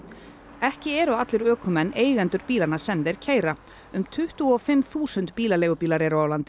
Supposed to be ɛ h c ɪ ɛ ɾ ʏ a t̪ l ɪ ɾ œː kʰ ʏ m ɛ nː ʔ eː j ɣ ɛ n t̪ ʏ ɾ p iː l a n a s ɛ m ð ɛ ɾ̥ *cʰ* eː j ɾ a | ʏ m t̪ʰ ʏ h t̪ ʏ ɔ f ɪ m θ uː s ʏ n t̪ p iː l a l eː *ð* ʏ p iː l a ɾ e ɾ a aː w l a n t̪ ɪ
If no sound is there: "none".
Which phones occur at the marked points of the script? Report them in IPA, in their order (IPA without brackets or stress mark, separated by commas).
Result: cʰ, ɣ